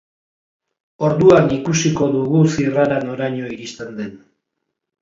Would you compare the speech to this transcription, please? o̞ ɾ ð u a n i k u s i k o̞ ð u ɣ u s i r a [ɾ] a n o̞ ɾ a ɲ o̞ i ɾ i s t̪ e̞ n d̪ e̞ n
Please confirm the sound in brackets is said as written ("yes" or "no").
yes